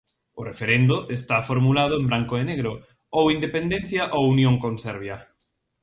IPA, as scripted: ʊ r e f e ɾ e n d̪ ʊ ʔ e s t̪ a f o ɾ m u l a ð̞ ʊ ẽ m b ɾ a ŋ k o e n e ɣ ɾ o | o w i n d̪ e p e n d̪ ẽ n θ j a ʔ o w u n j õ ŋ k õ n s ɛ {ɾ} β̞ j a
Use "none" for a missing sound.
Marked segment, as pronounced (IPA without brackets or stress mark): ɾ